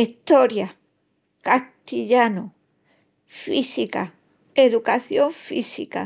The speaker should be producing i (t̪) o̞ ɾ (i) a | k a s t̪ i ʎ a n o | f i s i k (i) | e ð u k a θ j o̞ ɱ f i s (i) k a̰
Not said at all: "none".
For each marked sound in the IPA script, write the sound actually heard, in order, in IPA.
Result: t̪, j, a, i

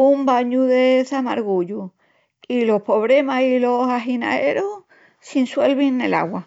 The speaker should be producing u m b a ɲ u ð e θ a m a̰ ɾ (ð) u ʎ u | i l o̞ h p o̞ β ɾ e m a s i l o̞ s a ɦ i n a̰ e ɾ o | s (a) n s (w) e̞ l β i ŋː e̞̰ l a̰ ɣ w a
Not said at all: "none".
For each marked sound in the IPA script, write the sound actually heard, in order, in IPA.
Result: ɣ, i, w

